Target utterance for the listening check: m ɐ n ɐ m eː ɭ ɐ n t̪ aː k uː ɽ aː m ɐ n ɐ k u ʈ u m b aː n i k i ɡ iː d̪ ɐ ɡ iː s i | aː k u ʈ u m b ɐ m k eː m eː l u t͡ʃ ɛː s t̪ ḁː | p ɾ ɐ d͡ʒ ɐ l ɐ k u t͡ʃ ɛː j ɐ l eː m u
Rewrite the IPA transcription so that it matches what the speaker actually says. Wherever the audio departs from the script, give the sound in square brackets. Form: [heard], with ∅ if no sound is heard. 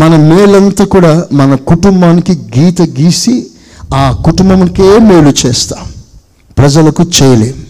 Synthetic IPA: m ɐ n ɐ m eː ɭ ɐ n t̪ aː k uː ɽ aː m ɐ n ɐ k u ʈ u m b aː n i k i ɡ iː [t̪] ɐ ɡ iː s i | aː k u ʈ u m b ɐ m k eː m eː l u t͡ʃ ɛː s t̪ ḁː | p ɾ ɐ d͡ʒ ɐ l ɐ k u t͡ʃ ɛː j ɐ l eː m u